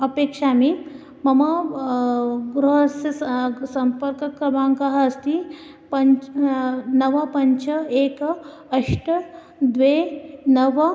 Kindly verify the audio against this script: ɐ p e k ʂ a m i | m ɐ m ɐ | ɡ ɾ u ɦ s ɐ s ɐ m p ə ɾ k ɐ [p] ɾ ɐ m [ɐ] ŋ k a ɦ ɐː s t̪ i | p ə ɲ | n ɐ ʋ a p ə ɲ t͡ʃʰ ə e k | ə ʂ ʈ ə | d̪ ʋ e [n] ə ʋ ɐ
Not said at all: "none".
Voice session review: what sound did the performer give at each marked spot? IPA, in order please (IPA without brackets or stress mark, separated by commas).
k, a, n